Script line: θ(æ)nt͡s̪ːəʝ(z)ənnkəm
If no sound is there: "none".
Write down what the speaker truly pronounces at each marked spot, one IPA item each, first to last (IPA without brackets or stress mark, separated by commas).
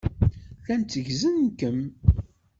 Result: æ, z